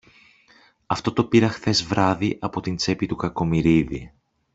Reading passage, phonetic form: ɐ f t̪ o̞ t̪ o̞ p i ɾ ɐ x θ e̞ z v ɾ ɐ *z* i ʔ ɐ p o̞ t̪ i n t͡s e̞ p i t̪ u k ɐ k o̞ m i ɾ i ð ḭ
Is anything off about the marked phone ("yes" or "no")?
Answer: yes